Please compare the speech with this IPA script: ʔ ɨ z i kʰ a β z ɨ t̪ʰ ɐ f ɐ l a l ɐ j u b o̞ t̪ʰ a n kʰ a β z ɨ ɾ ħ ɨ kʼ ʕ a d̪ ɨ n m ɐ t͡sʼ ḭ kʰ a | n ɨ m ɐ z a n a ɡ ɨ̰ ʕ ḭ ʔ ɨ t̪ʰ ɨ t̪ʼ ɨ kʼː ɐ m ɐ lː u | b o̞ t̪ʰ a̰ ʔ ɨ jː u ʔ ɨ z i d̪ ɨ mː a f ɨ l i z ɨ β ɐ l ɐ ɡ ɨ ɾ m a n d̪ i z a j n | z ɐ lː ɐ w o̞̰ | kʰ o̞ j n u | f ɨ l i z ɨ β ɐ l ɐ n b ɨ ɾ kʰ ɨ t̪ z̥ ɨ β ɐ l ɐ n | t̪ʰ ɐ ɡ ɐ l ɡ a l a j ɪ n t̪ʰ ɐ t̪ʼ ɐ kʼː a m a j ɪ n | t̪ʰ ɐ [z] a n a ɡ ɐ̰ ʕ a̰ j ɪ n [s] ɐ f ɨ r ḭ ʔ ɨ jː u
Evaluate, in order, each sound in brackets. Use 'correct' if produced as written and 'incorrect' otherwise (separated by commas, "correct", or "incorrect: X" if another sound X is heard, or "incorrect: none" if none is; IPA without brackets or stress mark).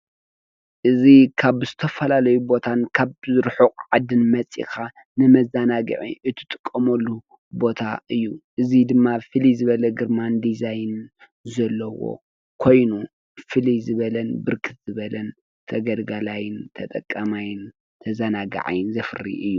correct, incorrect: z